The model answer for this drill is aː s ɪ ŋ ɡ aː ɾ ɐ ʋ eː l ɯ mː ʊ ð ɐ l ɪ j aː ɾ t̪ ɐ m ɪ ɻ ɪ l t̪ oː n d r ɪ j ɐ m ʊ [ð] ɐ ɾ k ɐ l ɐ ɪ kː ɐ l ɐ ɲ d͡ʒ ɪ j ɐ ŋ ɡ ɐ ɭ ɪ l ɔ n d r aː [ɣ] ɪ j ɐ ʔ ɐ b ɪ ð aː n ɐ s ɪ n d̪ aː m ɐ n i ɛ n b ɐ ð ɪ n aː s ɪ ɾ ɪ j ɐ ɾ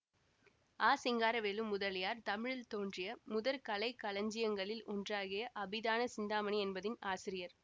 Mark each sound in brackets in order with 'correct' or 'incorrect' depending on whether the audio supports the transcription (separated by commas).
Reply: correct, correct